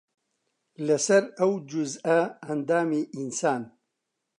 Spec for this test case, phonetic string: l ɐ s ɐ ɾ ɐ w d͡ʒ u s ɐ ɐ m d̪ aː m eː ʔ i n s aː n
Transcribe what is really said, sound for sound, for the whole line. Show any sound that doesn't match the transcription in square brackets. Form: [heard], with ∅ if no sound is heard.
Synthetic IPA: l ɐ s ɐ ɾ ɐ w d͡ʒ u [z] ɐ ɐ [n] d̪ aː m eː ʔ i n s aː n